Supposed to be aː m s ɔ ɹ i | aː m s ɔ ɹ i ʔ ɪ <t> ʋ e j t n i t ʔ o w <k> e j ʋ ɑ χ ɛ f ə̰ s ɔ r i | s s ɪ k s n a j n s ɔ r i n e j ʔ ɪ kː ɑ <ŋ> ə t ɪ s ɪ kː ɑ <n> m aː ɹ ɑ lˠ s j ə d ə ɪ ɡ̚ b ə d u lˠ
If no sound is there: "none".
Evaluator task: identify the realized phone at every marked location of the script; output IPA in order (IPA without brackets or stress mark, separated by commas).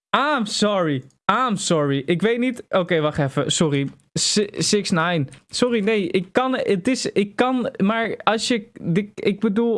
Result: k, k, n, n